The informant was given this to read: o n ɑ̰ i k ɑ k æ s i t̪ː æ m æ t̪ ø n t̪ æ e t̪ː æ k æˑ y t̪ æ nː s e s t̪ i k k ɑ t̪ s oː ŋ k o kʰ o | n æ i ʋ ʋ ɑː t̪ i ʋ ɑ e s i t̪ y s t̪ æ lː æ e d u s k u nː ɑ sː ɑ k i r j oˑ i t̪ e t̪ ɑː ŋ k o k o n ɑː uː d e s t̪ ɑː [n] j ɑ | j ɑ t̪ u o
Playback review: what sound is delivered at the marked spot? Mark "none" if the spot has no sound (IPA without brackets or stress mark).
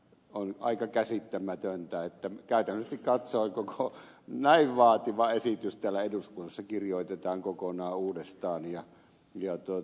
n